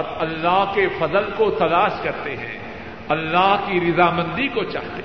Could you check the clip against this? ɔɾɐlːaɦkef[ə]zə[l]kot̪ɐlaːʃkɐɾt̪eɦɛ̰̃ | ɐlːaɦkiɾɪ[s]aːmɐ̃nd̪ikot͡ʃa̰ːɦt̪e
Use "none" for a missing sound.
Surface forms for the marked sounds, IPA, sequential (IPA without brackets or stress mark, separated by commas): ɐ, l, z